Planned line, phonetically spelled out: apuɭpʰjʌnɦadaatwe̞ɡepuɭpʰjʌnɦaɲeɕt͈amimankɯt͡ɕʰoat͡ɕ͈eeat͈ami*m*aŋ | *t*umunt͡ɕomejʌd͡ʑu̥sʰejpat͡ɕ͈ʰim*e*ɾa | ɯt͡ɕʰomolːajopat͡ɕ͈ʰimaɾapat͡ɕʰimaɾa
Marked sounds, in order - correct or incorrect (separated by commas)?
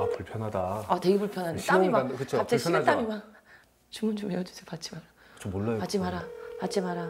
correct, incorrect, incorrect